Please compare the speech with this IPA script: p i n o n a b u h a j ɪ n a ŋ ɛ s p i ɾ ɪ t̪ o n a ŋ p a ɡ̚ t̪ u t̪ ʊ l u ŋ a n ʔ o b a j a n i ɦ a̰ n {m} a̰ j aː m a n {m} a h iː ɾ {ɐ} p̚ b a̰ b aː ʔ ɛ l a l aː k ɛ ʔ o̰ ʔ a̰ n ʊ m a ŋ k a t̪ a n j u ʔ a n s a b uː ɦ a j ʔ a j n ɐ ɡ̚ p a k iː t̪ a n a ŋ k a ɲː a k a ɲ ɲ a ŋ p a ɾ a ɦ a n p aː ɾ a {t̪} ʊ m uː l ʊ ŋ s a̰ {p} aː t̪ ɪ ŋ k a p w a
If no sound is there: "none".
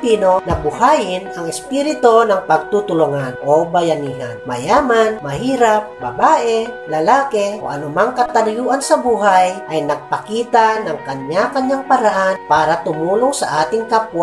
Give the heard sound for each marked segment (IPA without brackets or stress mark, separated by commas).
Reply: m, m, a, t̪, ʔ